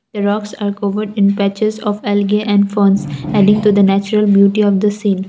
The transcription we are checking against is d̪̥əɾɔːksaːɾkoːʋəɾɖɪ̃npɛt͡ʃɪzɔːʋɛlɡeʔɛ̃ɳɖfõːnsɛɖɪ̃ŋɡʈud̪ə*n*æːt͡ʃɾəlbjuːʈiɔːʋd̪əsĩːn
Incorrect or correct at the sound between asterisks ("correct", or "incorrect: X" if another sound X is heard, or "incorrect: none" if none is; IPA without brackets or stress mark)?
correct